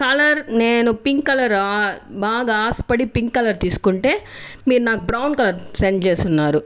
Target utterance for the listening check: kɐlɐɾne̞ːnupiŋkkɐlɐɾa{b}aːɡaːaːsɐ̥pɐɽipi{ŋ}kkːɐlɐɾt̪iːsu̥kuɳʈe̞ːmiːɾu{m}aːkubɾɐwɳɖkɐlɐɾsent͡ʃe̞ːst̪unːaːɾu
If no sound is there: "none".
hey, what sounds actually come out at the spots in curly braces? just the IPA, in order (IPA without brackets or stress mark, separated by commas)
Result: b, ŋ, n